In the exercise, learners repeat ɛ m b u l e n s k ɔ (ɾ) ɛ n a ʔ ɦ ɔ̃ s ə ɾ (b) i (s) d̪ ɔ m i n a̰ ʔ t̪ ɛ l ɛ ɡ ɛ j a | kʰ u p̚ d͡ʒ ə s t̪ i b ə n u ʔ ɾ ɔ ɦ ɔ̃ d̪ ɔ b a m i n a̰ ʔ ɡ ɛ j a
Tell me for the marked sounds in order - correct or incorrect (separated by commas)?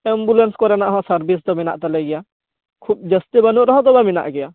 correct, correct, correct